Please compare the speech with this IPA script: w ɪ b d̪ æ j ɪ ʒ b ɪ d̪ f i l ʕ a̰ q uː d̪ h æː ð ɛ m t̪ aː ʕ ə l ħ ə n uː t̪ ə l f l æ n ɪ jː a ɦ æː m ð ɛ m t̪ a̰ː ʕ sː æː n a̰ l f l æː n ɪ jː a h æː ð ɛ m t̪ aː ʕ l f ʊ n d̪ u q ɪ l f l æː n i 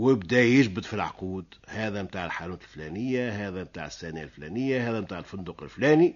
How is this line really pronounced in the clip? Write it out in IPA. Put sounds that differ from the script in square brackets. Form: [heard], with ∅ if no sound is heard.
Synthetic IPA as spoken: w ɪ b d̪ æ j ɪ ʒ b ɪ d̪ f i l ʕ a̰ q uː d̪ h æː ð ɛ m t̪ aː ʕ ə l ħ [a] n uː t̪ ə l f l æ n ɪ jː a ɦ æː [∅] ð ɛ m t̪ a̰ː ʕ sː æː n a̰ l f l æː n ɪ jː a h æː ð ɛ m t̪ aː ʕ l f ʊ n d̪ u q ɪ l f l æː n i